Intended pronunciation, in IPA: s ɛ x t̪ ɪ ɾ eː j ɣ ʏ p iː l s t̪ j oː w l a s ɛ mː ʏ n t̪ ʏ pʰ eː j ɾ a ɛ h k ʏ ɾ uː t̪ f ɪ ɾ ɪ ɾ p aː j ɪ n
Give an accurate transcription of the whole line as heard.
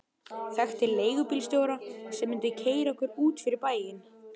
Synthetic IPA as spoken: θ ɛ x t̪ ɪ l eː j ɣ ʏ p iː l s t̪ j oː w ɾ a s ɛ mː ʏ n t̪ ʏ cʰ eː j ɾ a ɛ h k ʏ ɾ uː t̪ f ɪ ɾ ɪ ɾ p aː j ɪ n